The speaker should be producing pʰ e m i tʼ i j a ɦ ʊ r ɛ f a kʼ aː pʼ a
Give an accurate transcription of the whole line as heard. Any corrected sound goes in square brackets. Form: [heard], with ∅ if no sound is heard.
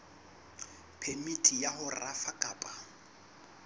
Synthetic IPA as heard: pʰ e m i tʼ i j a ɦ ʊ r [a] f a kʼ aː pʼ a

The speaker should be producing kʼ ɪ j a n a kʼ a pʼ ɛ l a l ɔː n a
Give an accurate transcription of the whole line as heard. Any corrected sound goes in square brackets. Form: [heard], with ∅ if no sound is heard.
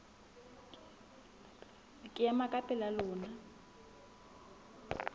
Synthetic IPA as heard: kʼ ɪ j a [m] a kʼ a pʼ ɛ l a l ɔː n a

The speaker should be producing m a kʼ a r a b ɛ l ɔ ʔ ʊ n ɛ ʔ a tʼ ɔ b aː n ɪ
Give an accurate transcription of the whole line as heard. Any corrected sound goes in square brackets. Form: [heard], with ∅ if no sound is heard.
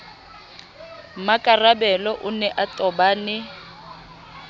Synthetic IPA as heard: m a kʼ a r a b ɛ l ɔ ʔ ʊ n ɛ ʔ a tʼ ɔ b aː n ɪ

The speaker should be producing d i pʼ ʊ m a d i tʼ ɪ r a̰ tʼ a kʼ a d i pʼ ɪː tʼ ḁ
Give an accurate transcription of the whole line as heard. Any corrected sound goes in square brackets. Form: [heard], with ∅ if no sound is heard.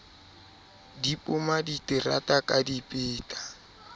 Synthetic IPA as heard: d i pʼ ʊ m a d i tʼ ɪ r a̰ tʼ a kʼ a d i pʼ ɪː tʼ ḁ

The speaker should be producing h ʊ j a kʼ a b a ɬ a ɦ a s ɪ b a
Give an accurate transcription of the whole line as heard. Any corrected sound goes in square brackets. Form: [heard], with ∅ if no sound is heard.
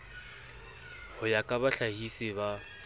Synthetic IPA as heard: h ʊ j a kʼ a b a ɬ a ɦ [i] s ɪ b a

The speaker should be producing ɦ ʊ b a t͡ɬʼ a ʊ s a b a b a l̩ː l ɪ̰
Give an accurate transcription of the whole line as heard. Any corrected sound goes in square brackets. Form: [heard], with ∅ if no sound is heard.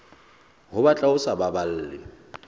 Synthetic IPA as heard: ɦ ʊ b a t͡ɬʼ a ʊ s a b a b a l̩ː l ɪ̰

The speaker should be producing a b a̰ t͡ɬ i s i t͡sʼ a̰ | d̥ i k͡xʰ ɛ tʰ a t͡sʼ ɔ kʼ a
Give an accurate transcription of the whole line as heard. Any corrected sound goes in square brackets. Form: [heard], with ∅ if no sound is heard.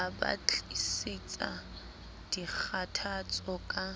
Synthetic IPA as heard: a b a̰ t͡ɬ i s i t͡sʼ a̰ | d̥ i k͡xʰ [a] tʰ a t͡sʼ ɔ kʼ a

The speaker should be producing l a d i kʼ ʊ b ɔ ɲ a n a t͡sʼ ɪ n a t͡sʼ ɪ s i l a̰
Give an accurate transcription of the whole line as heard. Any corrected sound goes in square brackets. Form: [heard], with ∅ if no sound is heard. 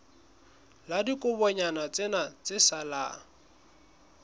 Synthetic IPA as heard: l a d i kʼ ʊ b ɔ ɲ a n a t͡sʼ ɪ n a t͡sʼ ɪ s [a] l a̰

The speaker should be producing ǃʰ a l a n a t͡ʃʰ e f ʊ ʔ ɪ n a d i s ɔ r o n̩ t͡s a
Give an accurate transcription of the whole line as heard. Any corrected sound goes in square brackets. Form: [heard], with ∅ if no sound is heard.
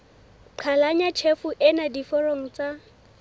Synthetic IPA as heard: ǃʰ a l a [ɲ] a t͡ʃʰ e f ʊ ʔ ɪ n a d i [f] ɔ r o [ŋ̩] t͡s a

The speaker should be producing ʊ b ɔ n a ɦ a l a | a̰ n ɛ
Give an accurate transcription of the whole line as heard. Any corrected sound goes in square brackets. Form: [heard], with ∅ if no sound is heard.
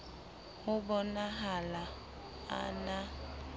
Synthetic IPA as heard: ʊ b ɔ n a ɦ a l a | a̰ n [a]

